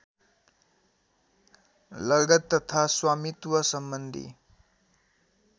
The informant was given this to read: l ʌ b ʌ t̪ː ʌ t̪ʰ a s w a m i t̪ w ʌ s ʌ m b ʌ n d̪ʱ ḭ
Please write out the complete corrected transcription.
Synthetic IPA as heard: l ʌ ɡ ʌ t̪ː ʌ t̪ʰ a s w a m i t̪ w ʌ s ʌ m b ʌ n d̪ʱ ḭ